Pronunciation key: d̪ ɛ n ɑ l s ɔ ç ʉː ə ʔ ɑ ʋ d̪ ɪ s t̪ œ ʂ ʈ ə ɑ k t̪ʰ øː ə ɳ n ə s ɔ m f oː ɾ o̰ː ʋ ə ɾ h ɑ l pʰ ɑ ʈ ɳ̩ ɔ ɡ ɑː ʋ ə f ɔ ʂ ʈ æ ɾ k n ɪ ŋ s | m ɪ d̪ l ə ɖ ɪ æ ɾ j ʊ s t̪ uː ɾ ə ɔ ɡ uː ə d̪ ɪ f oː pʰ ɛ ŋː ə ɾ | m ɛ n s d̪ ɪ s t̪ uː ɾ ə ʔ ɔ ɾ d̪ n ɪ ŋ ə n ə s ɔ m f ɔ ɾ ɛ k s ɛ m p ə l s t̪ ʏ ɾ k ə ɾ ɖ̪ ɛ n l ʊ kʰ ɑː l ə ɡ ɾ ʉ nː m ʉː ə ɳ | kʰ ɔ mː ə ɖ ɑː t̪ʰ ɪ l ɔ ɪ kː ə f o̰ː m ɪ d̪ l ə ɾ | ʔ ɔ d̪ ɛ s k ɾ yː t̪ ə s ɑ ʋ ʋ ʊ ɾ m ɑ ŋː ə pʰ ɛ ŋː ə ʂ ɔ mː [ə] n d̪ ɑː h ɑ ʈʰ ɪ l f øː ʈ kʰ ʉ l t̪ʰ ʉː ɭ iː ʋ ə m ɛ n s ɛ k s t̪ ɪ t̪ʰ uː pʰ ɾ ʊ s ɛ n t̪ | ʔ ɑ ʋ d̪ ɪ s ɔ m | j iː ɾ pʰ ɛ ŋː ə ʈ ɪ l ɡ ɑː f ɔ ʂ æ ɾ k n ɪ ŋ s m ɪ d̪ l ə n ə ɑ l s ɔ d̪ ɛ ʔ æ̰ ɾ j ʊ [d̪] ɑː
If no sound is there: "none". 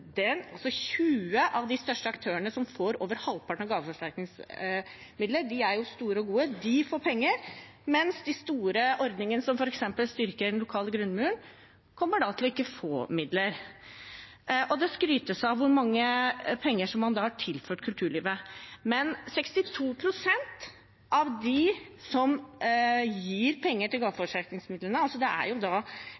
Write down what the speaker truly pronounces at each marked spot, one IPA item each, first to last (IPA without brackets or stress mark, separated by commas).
ɑ, d̪